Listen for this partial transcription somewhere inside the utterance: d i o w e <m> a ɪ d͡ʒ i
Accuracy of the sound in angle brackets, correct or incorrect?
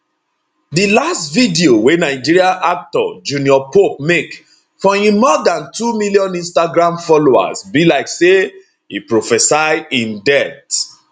incorrect: n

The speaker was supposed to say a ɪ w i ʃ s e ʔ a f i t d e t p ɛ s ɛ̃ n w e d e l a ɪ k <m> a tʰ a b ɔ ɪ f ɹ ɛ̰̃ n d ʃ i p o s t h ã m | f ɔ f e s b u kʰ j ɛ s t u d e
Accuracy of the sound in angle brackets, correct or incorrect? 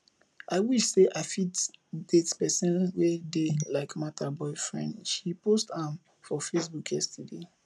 correct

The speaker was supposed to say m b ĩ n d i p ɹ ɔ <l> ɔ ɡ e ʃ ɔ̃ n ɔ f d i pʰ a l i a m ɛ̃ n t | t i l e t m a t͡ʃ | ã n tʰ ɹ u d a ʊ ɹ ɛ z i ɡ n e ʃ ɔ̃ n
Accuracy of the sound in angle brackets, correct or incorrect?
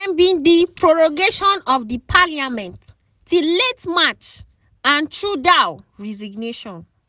incorrect: ɹ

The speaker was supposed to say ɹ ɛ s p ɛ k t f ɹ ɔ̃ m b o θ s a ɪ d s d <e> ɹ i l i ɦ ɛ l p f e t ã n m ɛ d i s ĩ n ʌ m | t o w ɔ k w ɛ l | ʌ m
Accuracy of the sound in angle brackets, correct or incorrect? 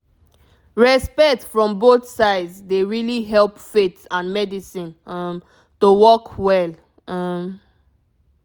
correct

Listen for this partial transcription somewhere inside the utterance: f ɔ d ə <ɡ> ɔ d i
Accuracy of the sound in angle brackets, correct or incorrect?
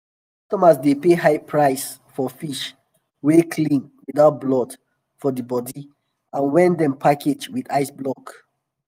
incorrect: b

